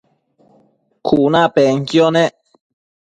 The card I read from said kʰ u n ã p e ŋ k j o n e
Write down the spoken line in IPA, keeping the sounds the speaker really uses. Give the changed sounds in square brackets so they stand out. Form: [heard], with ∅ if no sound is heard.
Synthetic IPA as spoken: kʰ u n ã p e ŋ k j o n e